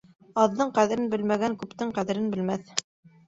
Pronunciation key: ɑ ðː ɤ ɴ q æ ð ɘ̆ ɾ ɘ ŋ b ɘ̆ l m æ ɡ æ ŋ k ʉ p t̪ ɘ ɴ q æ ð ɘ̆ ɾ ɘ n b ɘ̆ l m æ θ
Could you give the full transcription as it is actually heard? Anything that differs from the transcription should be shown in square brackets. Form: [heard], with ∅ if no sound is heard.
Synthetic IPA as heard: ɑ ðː ɤ ɴ q æ ð ɘ̆ ɾ ɘ [n] b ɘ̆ l m æ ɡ æ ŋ k ʉ p t̪ ɘ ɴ q æ ð ɘ̆ ɾ ɘ n b ɘ̆ l m æ θ